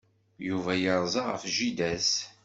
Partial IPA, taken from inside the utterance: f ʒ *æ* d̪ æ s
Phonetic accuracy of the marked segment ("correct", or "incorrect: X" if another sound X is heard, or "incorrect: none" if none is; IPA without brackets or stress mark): incorrect: i